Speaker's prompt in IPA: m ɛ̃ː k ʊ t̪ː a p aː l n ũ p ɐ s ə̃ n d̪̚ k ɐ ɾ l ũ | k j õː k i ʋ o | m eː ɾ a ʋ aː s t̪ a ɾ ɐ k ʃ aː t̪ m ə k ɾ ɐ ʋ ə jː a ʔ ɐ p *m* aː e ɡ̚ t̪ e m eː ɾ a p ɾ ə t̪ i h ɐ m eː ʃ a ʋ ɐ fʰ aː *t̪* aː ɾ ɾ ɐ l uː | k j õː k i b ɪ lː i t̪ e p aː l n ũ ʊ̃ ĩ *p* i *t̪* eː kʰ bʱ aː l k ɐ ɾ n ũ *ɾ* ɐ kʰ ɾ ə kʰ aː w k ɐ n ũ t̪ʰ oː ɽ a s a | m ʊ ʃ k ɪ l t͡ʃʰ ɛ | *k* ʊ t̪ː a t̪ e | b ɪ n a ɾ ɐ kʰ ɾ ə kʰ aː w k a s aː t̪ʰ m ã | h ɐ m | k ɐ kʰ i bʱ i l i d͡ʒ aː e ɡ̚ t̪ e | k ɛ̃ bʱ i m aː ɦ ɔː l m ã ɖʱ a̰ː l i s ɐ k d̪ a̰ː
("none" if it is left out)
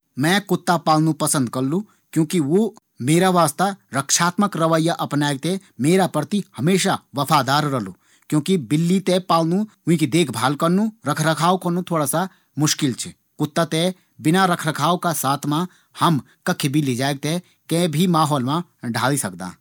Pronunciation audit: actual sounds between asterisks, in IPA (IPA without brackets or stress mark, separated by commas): n, d̪, k, d̪, ɾ, k